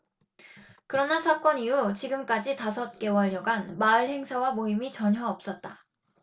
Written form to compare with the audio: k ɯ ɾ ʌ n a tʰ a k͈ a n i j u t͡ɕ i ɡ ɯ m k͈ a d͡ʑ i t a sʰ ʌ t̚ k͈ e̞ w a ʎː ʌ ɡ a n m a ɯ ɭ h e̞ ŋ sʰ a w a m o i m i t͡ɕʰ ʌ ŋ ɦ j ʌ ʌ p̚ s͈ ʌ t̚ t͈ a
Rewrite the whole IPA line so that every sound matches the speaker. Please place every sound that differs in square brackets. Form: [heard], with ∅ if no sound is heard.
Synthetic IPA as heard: k ɯ ɾ ʌ n a [sʰ] a k͈ [ʌ] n i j u t͡ɕ i ɡ ɯ m k͈ a d͡ʑ i t a sʰ ʌ t̚ k͈ e̞ w [ʌ] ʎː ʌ ɡ a n m a ɯ ɭ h e̞ ŋ sʰ a w a m o i m i [t͡ɕ] ʌ [ɲ] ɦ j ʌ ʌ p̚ s͈ ʌ t̚ t͈ a